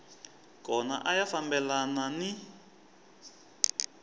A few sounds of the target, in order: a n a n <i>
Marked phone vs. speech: correct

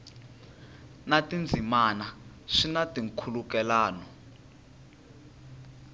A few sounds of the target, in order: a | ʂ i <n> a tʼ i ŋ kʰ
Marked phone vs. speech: correct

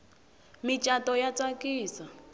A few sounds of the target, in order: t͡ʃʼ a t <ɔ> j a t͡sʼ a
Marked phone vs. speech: correct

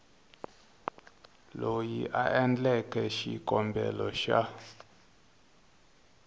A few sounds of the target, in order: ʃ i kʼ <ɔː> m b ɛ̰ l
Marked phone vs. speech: incorrect: ɔ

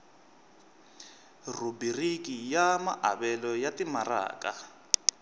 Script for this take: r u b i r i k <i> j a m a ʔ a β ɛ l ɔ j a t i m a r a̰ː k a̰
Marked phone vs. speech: correct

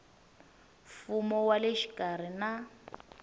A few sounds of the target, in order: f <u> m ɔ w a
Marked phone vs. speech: correct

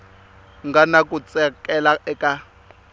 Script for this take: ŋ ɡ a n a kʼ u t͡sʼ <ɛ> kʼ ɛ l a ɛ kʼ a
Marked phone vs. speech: correct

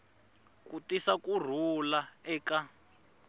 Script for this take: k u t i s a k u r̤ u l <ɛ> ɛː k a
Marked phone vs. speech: incorrect: a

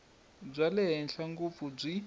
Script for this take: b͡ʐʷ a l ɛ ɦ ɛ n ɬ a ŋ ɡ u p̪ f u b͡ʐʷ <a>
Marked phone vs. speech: incorrect: i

